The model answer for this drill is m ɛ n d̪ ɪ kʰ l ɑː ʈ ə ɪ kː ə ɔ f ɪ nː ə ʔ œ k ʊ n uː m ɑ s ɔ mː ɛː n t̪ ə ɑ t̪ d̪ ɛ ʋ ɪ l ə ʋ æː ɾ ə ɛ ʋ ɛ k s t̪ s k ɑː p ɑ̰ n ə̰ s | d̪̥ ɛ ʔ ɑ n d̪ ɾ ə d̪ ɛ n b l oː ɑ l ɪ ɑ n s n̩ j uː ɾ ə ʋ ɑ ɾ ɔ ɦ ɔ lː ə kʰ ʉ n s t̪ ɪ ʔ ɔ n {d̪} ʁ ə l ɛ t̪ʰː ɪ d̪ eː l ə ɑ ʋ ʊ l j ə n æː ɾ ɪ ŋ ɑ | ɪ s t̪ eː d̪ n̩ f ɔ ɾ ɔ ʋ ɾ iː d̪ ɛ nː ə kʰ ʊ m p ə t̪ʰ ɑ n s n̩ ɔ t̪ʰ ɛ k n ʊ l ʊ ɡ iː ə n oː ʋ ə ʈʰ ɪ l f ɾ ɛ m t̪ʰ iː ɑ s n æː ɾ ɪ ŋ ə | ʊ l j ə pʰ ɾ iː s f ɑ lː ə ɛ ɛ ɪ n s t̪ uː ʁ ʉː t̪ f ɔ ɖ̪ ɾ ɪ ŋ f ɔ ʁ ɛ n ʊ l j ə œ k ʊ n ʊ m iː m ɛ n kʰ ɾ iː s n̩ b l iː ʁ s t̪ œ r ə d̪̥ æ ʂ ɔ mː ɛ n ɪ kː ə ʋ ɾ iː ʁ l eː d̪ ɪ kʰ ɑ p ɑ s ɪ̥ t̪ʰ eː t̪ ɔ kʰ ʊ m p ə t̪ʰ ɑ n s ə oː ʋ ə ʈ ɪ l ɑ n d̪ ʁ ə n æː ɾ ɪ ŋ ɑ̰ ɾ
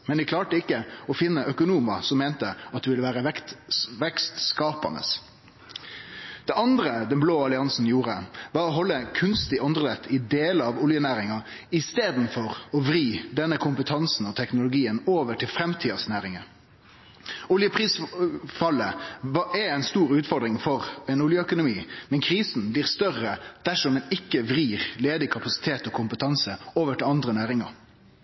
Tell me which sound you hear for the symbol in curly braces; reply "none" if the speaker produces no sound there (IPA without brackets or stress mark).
d̪